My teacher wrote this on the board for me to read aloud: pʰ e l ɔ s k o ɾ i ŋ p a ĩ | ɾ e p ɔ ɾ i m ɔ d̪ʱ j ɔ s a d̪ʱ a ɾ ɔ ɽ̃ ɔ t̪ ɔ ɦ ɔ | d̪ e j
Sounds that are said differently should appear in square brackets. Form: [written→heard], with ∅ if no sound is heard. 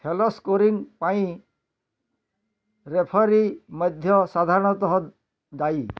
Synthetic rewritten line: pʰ e l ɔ s k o ɾ i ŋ p a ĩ | ɾ e [p→pʰ] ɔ ɾ i m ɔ d̪ʱ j ɔ s a d̪ʱ a ɾ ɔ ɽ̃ ɔ t̪ ɔ ɦ ɔ | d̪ [e→a] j